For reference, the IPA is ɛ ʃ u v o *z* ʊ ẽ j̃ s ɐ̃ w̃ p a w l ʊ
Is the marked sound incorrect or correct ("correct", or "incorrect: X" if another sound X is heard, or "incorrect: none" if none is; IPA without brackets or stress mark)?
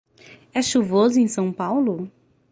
correct